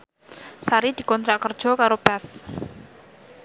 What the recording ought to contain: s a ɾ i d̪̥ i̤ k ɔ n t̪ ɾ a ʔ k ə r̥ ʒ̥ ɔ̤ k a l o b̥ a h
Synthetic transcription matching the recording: s a ɾ i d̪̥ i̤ k ɔ n t̪ ɾ a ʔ k ə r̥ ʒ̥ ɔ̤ k a ɾ o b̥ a θ